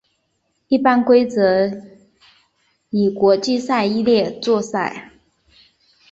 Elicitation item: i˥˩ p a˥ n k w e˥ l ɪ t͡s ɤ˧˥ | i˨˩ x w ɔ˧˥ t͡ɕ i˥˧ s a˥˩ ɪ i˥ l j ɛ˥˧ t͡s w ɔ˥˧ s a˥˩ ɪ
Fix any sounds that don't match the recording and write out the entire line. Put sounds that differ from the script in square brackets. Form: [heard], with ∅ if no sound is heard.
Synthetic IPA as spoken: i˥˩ p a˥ n k w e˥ [∅] ɪ t͡s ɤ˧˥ | i˨˩ [k] w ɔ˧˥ t͡ɕ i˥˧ s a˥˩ ɪ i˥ l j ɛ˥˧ t͡s w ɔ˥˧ s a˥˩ ɪ